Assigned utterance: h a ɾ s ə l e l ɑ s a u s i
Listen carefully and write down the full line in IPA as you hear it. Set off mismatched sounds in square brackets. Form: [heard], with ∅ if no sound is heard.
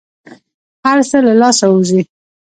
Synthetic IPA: h a ɾ s ə l [a] l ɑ s a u [z] i